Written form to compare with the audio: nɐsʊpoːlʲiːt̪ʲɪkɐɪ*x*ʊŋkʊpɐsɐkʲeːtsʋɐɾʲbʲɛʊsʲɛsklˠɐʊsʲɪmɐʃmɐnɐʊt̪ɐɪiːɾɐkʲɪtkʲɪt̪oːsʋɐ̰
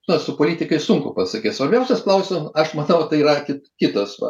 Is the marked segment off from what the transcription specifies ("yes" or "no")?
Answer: yes